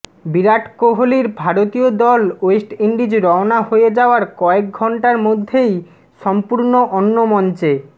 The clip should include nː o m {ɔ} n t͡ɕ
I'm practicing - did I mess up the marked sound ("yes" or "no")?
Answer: no